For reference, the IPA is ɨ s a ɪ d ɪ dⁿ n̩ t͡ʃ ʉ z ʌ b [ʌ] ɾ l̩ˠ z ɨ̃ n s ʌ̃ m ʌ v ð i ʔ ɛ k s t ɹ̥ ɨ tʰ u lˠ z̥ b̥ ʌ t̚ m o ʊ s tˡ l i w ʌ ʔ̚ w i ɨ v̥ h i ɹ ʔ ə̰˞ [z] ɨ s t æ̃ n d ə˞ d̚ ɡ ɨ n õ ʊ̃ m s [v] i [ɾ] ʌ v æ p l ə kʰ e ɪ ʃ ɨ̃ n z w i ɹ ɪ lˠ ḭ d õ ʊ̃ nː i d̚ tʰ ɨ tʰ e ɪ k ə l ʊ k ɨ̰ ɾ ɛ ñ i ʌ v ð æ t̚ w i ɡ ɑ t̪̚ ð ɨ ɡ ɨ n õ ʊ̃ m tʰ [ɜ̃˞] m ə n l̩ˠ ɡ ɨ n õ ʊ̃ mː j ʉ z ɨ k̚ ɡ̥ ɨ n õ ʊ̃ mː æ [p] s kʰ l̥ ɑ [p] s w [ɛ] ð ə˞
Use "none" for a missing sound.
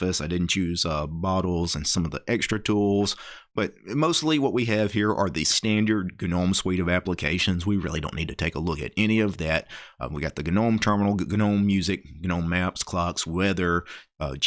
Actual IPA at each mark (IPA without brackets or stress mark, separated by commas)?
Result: ɑ, ð, w, ɾ, ɜ˞, p, k, ɛ